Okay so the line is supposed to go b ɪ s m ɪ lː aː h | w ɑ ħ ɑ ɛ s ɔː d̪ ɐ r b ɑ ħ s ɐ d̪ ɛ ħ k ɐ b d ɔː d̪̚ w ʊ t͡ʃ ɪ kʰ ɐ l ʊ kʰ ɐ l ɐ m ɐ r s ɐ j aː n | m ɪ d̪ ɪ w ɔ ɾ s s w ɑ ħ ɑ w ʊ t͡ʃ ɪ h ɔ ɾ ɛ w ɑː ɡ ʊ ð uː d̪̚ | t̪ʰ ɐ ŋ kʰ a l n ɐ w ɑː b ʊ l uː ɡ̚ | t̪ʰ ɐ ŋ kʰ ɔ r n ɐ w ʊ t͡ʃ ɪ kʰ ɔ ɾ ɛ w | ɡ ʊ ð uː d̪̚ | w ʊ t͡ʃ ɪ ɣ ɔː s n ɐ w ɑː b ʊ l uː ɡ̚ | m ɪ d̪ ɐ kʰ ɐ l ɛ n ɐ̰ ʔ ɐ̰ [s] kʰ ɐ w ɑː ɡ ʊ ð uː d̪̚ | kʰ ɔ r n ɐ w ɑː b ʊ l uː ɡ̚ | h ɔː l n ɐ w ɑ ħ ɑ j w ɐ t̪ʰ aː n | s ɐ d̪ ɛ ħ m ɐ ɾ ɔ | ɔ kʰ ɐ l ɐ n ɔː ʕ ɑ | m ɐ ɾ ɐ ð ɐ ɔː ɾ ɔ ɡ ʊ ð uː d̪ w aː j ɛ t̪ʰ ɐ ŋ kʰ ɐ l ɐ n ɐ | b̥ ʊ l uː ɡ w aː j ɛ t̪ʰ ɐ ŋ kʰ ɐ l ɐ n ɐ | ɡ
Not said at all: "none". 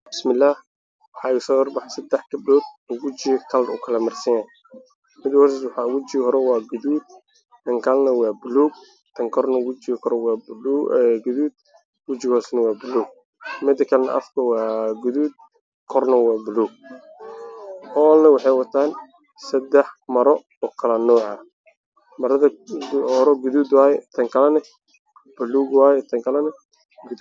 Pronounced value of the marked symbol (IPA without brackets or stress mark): f